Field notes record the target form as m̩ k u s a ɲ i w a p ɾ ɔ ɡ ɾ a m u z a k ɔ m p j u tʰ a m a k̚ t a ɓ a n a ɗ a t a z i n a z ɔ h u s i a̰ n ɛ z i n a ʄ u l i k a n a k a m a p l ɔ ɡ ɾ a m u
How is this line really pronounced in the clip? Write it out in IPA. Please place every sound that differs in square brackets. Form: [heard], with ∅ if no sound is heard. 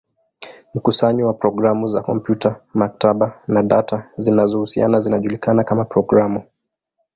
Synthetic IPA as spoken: m̩ k u s a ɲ i w a p ɾ ɔ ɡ ɾ a m u z a k ɔ m p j u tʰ a m a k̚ t a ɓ a n a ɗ a t a z i n a z ɔ h u s i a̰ n [a] z i n a ʄ u l i k a n a k a m a p [ɾ] ɔ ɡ ɾ a m u